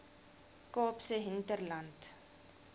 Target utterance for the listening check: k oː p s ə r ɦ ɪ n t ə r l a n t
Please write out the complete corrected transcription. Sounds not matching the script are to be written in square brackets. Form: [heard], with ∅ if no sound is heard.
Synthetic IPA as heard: k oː p s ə [∅] ɦ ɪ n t ə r l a n t